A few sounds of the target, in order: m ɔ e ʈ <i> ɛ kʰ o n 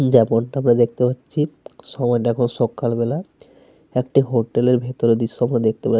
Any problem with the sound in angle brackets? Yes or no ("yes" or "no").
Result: yes